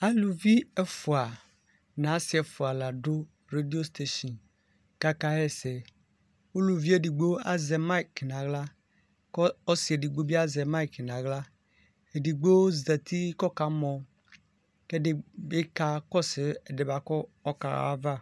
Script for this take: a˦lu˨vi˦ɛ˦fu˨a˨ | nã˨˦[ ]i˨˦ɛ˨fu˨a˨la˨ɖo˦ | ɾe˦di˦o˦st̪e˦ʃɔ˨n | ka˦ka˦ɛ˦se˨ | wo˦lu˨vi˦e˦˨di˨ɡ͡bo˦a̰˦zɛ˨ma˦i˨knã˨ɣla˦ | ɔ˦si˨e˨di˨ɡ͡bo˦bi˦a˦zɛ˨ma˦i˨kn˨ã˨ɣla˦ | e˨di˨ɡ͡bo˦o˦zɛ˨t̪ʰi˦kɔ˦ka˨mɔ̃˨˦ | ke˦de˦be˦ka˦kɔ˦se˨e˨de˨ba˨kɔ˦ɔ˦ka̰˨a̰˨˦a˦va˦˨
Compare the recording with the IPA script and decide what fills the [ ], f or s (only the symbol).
s